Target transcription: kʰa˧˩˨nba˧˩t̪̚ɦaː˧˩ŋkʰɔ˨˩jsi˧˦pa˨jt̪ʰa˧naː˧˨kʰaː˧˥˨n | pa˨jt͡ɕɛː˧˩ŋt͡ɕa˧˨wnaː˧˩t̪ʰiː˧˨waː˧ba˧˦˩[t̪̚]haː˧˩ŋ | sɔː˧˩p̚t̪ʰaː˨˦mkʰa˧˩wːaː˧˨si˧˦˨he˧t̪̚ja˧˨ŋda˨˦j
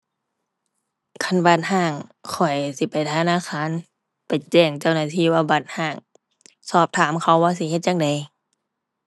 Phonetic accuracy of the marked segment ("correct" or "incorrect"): correct